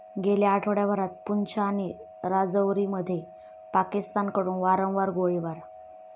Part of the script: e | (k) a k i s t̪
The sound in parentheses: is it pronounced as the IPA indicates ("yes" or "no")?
no